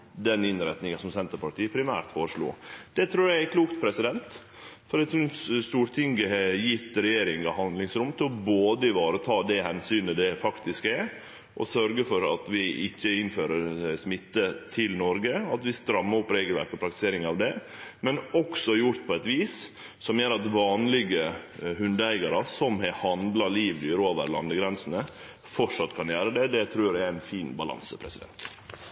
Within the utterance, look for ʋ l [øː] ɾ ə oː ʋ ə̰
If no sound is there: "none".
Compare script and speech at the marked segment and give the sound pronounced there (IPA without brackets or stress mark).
yː